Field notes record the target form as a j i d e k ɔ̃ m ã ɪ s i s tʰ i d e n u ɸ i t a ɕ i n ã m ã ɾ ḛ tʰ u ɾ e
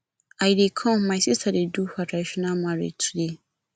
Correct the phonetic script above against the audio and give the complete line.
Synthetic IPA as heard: a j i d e kʰ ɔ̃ m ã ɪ s i s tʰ a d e d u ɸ a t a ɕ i n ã m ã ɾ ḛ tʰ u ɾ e